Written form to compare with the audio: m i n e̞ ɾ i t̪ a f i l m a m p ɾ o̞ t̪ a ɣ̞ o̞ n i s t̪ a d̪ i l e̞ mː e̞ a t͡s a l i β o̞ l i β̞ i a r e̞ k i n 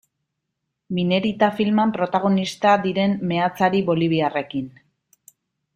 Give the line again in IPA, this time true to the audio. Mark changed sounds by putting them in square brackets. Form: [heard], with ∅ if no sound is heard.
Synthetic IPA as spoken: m i n e̞ ɾ i t̪ a f i l m a m p ɾ o̞ t̪ a ɣ̞ o̞ n i s t̪ a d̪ i [ɾ] e̞ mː e̞ a t͡s a [ɾ] i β o̞ l i β̞ i a r e̞ k i n